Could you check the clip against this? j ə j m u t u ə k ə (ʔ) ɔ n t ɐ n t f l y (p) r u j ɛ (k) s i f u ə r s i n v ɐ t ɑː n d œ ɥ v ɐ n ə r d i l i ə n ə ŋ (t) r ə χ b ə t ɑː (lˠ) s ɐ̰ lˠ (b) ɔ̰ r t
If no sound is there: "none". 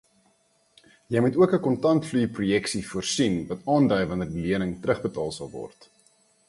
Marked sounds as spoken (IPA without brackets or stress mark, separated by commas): k, p, k, t, lˠ, v